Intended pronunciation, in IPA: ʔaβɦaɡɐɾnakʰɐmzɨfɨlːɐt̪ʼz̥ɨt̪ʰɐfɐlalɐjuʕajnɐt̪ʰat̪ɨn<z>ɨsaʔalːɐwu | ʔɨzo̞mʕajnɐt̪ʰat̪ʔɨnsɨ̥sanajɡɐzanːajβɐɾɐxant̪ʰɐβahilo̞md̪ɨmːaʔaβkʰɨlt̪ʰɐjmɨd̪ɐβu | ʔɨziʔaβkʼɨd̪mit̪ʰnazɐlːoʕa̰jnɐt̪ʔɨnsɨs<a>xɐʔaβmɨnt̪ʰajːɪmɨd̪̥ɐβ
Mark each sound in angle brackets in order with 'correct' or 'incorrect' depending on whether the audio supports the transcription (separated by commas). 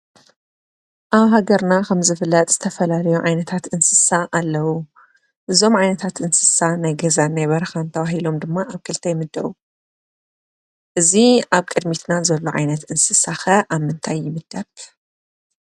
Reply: incorrect, correct